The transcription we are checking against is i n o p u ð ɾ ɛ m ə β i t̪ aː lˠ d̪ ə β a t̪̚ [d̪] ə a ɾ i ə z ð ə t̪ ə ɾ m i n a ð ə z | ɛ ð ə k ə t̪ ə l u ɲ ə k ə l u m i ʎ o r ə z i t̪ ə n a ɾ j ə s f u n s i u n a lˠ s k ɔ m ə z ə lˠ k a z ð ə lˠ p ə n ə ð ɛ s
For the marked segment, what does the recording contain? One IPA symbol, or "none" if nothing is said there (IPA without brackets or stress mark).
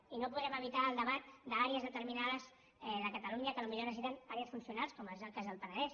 d̪